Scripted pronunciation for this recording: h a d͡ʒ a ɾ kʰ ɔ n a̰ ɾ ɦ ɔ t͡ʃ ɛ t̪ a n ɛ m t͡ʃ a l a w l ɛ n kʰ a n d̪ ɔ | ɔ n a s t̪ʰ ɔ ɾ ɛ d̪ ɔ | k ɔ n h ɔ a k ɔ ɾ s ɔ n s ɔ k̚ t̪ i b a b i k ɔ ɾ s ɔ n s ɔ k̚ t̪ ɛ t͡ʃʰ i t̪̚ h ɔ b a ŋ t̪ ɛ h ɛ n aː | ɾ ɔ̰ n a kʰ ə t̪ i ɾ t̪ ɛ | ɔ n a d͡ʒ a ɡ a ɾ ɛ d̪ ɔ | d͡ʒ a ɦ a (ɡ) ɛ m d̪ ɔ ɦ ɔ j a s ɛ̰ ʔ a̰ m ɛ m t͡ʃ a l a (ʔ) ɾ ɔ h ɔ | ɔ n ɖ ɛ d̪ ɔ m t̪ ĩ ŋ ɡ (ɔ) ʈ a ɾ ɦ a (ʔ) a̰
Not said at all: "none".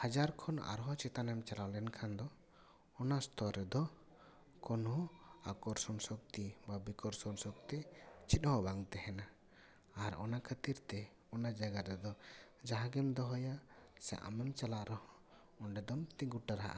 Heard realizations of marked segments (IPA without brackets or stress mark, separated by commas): ɡ, ʔ, u, ʔ